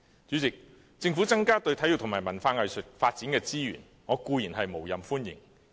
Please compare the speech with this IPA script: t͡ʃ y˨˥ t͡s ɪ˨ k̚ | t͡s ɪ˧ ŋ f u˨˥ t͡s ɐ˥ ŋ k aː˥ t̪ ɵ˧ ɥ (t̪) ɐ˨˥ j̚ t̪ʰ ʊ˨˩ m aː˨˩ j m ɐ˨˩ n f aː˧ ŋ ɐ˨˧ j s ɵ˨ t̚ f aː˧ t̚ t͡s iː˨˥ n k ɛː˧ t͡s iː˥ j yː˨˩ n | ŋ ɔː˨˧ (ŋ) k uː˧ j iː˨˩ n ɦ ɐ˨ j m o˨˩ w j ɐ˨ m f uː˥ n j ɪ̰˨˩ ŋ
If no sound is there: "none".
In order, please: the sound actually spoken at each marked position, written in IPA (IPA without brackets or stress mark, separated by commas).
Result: t̪ʰ, none